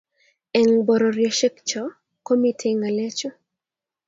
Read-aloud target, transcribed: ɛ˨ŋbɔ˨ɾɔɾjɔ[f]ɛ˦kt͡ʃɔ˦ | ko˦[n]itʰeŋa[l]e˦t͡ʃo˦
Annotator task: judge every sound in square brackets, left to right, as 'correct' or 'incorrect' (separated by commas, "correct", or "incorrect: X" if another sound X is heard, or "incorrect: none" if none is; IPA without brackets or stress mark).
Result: incorrect: ʃ, incorrect: m, correct